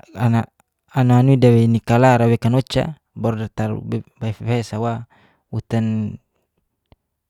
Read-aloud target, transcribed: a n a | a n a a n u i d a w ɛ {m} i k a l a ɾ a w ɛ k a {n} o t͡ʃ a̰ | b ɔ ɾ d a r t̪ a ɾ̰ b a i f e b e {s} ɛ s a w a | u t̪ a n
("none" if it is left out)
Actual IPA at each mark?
n, n, none

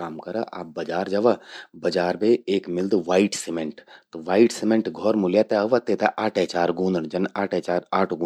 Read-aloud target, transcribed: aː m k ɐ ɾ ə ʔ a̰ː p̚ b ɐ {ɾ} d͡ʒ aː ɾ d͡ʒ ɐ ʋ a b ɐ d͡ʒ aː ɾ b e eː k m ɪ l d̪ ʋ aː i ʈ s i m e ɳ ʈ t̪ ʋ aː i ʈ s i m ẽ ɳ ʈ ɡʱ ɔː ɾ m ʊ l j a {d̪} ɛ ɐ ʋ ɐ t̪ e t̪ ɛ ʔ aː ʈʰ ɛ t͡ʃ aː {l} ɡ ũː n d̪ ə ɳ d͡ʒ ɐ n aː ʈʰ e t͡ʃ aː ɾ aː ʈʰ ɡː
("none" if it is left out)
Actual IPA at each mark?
none, t̪, ɾ

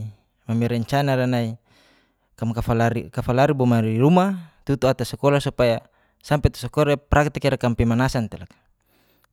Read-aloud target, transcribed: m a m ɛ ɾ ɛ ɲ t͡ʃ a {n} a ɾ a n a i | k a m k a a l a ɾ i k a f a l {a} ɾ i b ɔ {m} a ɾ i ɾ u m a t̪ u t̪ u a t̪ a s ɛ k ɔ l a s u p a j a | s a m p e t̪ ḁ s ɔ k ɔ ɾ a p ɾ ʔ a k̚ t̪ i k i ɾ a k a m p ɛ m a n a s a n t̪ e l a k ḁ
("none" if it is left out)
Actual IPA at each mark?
n, a, m

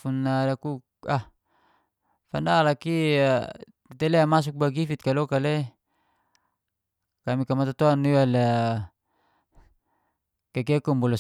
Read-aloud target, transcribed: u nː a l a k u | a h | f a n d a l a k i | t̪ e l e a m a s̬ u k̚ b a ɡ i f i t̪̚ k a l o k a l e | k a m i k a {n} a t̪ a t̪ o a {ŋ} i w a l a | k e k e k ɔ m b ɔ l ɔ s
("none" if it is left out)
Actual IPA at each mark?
m, n

